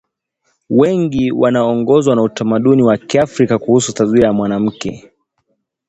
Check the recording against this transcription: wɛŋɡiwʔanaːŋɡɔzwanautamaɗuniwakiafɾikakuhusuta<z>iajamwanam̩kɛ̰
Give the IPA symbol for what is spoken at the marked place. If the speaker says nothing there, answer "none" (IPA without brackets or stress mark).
z